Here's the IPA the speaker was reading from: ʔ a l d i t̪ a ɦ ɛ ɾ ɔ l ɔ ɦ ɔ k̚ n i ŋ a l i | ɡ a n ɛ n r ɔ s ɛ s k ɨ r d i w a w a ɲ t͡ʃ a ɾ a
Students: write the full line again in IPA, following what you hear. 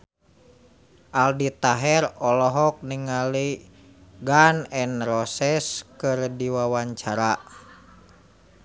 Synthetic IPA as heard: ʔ a l d i t̪ a ɦ ɛ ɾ ɔ l ɔ ɦ ɔ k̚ n i ŋ a l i | ɡ a n ɛ n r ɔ s ɛ s k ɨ r d i w a w a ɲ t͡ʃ a ɾ a